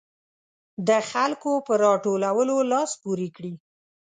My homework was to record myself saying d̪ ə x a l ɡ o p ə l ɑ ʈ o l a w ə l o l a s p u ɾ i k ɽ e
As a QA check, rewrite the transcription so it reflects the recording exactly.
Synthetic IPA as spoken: d̪ ə x a l k o p ə ɾ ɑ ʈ o l a w ə l o l ɑ s p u ɾ i k ɽ i